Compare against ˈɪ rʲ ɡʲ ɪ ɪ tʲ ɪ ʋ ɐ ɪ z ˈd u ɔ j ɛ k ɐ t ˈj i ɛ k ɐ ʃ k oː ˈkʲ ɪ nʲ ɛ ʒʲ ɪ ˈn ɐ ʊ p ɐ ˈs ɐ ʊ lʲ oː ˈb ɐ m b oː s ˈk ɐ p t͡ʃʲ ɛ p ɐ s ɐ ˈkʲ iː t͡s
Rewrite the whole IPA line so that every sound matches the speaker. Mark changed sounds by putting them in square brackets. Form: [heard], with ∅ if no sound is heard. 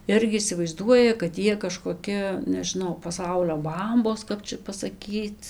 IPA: ˈɪ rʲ ɡʲ ɪ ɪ [sʲ] ɪ ʋ ɐ ɪ z ˈd u ɔ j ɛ k ɐ t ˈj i ɛ k ɐ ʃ k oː ˈkʲ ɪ nʲ ɛ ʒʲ ɪ ˈn ɐ ʊ p ɐ ˈs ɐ ʊ lʲ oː ˈb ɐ m b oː s ˈk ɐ p t͡ʃʲ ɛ p ɐ s ɐ ˈkʲ iː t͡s